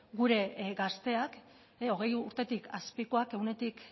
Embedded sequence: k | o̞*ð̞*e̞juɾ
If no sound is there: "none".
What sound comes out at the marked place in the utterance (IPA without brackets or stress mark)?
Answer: ɣ̞